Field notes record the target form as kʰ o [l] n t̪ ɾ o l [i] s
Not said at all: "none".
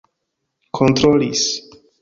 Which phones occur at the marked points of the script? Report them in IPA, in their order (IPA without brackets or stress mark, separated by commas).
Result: none, i